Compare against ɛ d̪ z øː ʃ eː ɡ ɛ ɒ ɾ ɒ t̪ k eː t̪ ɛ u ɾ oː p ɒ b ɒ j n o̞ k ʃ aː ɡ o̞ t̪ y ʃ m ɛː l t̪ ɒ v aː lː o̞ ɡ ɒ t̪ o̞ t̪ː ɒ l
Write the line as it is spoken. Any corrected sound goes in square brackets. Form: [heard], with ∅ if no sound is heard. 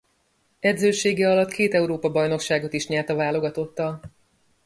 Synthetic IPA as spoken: ɛ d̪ z øː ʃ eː ɡ ɛ ɒ [l] ɒ t̪ k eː t̪ ɛ u ɾ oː p ɒ b ɒ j n o̞ k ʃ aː ɡ o̞ t̪ [i] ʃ [ɲ] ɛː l t̪ ɒ v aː [l] o̞ ɡ ɒ t̪ o̞ t̪ː ɒ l